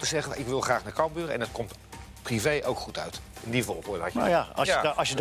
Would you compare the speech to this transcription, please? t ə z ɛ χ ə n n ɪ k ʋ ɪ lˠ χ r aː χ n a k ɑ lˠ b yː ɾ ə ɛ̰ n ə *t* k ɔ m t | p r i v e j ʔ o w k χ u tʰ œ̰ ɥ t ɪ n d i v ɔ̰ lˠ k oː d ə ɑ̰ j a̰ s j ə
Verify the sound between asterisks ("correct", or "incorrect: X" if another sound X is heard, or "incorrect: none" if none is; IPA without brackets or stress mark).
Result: correct